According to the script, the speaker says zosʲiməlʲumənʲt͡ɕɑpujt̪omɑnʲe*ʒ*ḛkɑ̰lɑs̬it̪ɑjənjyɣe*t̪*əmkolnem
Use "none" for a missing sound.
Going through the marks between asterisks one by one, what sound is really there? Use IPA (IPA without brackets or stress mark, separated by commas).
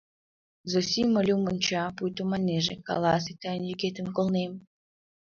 ʒ, t̪